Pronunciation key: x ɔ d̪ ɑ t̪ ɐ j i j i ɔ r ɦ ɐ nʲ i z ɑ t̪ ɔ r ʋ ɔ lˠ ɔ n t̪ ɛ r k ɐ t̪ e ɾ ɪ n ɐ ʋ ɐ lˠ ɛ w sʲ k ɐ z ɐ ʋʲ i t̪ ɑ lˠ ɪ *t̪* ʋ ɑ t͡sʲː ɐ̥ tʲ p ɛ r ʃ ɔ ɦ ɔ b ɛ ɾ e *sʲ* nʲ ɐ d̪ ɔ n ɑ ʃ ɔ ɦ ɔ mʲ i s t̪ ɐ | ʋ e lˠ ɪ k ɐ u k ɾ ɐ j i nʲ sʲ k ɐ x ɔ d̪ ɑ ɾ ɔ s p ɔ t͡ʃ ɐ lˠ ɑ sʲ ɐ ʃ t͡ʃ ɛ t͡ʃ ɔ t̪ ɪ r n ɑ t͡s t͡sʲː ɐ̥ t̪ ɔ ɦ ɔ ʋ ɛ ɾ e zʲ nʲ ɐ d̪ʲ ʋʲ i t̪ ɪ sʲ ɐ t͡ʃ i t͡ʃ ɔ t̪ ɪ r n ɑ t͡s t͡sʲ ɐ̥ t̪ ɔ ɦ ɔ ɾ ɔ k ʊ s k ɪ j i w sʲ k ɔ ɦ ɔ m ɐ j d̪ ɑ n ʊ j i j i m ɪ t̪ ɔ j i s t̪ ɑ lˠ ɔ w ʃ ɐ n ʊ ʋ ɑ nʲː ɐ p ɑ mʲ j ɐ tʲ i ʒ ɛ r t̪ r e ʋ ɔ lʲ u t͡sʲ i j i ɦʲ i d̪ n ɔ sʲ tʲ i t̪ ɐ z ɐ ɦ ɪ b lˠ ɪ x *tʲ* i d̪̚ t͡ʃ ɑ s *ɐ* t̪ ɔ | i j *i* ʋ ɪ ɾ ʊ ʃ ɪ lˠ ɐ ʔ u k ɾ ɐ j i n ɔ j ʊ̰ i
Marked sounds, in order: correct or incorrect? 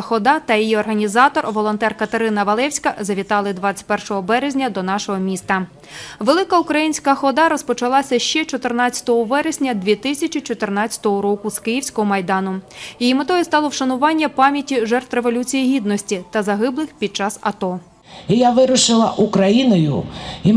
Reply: incorrect: d̪, incorrect: zʲ, incorrect: pʲ, correct, incorrect: a

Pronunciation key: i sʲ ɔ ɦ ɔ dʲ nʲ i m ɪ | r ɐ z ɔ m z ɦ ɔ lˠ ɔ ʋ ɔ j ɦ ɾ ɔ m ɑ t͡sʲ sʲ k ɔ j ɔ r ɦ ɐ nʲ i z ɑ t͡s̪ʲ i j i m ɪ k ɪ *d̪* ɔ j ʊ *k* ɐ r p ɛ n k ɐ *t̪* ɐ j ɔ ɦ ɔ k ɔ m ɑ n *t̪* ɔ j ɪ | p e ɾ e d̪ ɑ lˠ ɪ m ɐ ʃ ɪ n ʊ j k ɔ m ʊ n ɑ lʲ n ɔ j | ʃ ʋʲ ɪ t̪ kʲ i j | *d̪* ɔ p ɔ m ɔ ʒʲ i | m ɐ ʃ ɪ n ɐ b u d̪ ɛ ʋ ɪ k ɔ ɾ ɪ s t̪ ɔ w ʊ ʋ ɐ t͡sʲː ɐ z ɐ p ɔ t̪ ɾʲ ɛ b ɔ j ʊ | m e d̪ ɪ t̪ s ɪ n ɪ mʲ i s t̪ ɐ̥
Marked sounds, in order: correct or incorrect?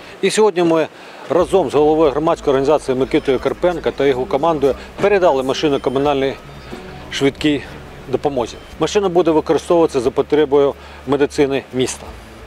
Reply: incorrect: t̪, correct, correct, incorrect: d̪, correct

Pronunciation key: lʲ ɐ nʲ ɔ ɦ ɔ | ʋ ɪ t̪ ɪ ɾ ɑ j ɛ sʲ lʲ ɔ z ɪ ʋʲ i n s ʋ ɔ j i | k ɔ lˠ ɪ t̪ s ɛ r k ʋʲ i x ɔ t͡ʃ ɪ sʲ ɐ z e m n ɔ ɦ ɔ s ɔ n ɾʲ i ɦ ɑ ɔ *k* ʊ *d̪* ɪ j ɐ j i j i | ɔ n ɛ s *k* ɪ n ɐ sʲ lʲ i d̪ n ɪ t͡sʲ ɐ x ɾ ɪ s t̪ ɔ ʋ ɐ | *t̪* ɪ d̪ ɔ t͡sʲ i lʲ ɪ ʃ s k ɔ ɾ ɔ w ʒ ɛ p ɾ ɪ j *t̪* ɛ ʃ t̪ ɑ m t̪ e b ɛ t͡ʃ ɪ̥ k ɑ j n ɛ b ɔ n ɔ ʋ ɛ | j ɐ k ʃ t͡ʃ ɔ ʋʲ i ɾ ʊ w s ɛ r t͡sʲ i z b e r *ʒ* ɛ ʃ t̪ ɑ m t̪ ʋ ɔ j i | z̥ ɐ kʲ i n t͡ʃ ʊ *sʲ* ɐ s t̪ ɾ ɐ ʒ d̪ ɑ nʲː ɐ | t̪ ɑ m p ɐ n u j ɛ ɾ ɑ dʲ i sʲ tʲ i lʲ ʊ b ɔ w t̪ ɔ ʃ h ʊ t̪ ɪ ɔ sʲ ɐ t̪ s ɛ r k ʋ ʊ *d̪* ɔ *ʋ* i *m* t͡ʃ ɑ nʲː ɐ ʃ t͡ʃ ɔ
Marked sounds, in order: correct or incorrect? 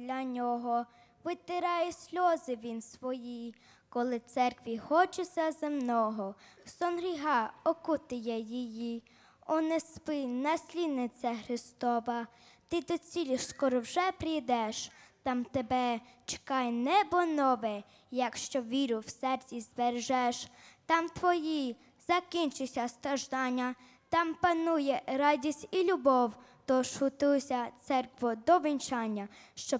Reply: correct, incorrect: t̪, incorrect: p, correct, incorrect: d̪, correct, correct, correct, correct, incorrect: n

